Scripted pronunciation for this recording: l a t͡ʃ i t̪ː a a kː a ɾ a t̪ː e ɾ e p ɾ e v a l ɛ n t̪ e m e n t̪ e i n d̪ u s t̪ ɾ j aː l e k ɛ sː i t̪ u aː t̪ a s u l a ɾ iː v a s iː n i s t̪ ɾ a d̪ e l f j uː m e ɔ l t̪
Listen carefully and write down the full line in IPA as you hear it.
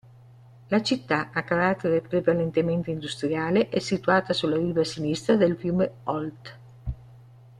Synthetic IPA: l a t͡ʃ i t̪ː a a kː a ɾ a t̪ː e ɾ e p ɾ e v a l e n t̪ e m e n t̪ e i n d̪ u s t̪ ɾ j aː l e ʔ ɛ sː i t̪ u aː t̪ a s u l a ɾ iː v a s i n i s t̪ ɾ a d̪ e l f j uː m e ɔ l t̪